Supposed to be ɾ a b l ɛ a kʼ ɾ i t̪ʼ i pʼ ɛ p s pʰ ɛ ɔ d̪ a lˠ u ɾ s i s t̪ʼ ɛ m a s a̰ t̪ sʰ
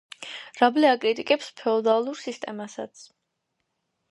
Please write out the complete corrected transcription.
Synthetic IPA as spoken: ɾ a b l ɛ a kʼ ɾ i t̪ʼ i kʼ ɛ p s pʰ ɛ ɔ d̪ a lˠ u ɾ s i s t̪ʼ ɛ m a s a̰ t̪ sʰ

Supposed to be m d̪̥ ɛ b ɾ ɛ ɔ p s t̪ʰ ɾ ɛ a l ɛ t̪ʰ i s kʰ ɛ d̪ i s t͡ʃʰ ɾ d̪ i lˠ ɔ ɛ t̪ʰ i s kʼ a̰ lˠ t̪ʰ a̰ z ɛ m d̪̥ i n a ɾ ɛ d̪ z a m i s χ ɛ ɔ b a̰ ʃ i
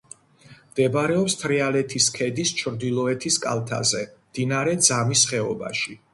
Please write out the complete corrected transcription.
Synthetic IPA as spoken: m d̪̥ ɛ b ɾ ɛ ɔ p s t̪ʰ ɾ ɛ a l ɛ t̪ʰ i s kʰ ɛ d̪ i s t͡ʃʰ ɾ d̪ i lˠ ɔ ɛ t̪ʰ i s kʼ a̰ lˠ t̪ʰ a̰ z ɛ m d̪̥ i n a ɾ ɛ d̪ z a m i s χ ɛ ɔ b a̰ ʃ i

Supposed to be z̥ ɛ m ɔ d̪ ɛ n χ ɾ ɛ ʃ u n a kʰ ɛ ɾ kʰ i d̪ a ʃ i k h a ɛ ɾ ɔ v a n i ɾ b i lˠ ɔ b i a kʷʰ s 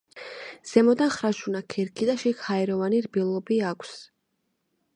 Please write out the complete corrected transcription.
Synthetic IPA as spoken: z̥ ɛ m ɔ d̪ a n χ ɾ a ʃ u n a kʰ ɛ ɾ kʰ i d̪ a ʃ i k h a ɛ ɾ ɔ v a n i ɾ b i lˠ ɔ b i a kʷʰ s

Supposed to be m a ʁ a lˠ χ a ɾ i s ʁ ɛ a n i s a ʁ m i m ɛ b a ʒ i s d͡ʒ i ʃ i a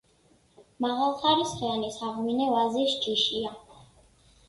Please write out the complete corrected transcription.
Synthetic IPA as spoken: m a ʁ a lˠ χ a ɾ i s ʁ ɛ a n i s a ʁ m i n ɛ v a z i s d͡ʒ i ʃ i a

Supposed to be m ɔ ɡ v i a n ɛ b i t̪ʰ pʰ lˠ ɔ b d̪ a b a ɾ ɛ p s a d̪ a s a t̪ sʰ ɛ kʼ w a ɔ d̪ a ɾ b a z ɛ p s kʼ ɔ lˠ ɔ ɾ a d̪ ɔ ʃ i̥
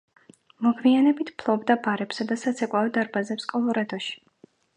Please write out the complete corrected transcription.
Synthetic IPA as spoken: m ɔ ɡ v i a n ɛ b i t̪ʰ pʰ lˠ ɔ b d̪ a b a ɾ ɛ p s a d̪ a s a t̪ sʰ ɛ kʼ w a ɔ d̪ a ɾ b a z ɛ p s kʼ ɔ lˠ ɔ ɾ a d̪ ɔ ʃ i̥

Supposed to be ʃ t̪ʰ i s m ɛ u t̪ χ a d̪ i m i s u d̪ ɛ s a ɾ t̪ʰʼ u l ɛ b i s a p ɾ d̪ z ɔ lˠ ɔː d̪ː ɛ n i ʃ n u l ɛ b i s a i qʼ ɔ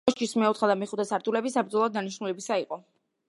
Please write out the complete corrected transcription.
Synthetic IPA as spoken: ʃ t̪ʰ i s m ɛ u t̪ χ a d̪ a m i χ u d̪ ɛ s a ɾ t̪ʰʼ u l ɛ b i s a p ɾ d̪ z ɔ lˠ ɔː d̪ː a n i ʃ n u l ɛ b i s a i qʼ ɔ

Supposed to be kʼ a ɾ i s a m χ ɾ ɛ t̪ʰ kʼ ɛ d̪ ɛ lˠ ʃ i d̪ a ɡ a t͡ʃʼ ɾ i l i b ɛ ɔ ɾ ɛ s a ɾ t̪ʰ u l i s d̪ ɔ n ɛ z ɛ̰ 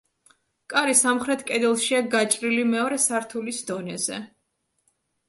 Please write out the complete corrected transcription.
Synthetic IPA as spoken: kʼ a ɾ i s a m χ ɾ ɛ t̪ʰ kʼ ɛ d̪ ɛ lˠ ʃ i a ɡ a t͡ʃʼ ɾ i l i m ɛ ɔ ɾ ɛ s a ɾ t̪ʰ u l i s d̪ ɔ n ɛ z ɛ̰

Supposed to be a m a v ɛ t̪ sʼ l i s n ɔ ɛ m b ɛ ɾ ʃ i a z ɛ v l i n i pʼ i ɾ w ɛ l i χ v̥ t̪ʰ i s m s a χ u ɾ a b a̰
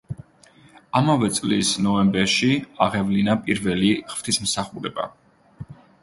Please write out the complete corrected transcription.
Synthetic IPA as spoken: a m a v ɛ t̪ sʼ l i s n ɔ ɛ m b ɛ ɾ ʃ i a ʁ ɛ v l i n a pʼ i ɾ v ɛ l i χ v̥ t̪ʰ i s m s a χ u ɾ ɛ b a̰

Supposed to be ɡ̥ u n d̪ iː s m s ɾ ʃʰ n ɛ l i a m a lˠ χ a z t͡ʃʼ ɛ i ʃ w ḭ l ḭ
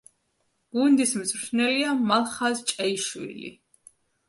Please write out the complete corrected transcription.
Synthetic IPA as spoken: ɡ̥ u n d̪ i s m z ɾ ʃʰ n ɛ l i a m a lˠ χ a z t͡ʃʼ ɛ i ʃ w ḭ l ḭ

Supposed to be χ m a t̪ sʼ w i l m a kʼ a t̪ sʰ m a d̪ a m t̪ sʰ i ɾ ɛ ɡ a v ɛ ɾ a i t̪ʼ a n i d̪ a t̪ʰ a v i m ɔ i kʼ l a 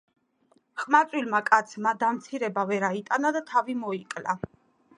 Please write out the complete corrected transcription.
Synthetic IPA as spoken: χ m a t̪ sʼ w i l m a kʼ a t̪ sʰ m a d̪ a m t̪ sʰ i ɾ ɛ b a v ɛ ɾ a i t̪ʼ a n a d̪ a t̪ʰ a v i m ɔ i kʼ l a

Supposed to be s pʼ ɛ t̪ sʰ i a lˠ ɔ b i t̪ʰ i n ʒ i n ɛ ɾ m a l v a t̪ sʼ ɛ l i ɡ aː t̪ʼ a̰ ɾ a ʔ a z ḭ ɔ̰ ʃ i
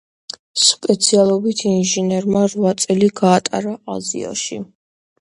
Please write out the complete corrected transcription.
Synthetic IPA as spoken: s pʼ ɛ t̪ sʰ i a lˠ ɔ b i t̪ʰ i n ʒ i n ɛ ɾ m a ɾ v a t̪ sʼ ɛ l i ɡ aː t̪ʼ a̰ ɾ a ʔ a z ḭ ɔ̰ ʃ i

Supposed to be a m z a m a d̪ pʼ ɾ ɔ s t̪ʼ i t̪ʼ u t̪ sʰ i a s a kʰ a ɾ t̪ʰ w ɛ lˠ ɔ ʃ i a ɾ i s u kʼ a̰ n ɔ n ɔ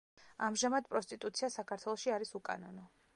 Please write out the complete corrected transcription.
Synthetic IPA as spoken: a m ʒ a m a d̪ pʼ ɾ ɔ s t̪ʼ i t̪ʼ u t̪ sʰ i a s a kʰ a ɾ t̪ʰ w ɛ lˠ ɔ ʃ i a ɾ i s u kʼ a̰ n ɔ n ɔ

